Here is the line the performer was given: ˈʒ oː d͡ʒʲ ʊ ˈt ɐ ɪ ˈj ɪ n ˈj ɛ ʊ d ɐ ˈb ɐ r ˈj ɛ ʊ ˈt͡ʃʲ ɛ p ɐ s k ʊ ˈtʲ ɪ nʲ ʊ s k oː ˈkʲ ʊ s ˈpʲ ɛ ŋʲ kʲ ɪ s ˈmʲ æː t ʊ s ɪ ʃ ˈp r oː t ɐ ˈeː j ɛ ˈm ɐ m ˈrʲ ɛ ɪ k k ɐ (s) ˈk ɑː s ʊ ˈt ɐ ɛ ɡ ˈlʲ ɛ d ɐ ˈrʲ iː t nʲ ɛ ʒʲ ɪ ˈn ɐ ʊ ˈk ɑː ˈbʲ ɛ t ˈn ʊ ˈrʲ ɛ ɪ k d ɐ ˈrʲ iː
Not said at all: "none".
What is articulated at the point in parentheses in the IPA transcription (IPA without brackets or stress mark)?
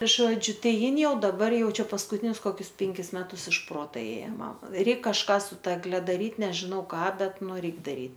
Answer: ʃ